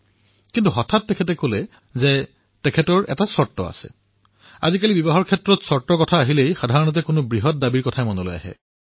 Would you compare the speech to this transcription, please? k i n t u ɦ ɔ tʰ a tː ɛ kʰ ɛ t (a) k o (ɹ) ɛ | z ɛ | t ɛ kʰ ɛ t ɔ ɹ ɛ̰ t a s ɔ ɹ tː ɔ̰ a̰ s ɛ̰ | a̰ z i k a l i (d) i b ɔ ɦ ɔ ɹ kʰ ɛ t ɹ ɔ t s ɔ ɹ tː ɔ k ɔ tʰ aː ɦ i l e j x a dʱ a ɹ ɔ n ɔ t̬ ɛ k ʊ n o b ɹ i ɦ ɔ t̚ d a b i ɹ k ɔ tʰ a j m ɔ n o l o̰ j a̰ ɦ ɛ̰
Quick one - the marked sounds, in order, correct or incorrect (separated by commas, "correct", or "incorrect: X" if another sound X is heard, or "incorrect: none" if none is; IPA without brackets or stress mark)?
incorrect: ɛ, incorrect: l, incorrect: b